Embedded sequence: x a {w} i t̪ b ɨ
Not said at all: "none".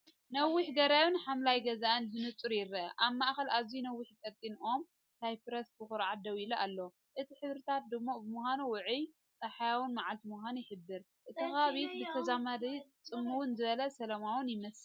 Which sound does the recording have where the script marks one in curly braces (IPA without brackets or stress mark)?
β